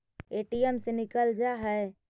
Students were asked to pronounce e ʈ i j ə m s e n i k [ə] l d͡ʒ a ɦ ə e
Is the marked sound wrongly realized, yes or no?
no